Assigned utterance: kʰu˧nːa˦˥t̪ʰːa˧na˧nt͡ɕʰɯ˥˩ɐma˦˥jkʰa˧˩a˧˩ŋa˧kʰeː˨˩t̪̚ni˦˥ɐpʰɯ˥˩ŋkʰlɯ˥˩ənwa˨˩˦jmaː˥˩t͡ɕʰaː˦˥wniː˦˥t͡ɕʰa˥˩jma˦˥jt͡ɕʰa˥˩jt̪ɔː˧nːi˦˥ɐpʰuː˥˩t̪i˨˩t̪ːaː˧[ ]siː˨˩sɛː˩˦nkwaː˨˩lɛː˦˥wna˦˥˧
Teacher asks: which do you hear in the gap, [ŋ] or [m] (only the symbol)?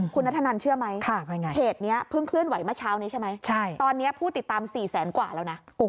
m